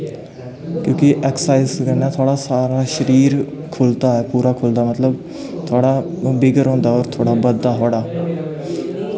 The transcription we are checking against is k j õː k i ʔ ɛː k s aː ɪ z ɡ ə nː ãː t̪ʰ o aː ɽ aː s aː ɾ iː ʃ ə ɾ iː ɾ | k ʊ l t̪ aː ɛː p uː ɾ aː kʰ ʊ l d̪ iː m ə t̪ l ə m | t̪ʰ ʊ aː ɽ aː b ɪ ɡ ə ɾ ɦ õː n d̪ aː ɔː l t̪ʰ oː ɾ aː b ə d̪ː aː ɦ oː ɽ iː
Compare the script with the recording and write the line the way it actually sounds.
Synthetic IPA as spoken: k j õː k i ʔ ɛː k s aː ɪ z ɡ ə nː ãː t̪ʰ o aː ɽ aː s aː ɾ aː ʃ ə ɾ iː ɾ | kʰ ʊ l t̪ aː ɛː p uː ɾ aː kʰ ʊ l d̪ aː m ə t̪ l ə b | t̪ʰ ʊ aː ɽ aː b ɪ ɡ ə ɾ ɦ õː n d̪ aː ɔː ɾ t̪ʰ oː ɽ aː b ə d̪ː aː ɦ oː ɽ aː